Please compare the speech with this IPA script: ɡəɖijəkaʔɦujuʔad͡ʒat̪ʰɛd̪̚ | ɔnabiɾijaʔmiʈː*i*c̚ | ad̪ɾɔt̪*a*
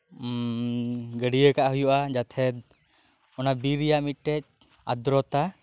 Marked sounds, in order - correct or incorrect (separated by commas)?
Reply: incorrect, correct